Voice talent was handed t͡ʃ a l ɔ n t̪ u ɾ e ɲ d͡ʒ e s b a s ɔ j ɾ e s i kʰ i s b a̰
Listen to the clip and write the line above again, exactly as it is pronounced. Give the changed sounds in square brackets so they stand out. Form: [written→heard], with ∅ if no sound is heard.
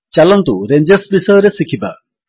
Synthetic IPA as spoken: t͡ʃ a l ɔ n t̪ u ɾ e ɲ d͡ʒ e s b [a→i] s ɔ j ɾ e s i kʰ i [s→∅] b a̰